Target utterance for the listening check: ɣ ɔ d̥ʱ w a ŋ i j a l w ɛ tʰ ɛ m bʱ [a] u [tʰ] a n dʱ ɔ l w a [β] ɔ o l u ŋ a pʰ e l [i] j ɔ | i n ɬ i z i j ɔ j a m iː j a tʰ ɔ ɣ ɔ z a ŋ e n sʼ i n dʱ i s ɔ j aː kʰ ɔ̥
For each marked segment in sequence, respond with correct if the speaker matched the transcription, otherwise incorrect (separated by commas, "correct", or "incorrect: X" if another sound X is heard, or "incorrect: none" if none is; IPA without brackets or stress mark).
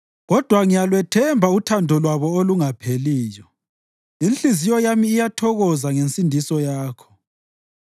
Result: correct, correct, correct, incorrect: iː